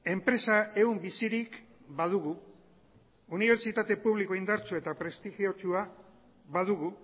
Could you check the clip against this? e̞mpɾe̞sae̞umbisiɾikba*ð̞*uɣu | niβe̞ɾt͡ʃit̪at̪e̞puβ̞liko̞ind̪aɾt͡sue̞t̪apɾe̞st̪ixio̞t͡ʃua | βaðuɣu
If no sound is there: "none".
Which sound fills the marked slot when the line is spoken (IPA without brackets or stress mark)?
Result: ð̞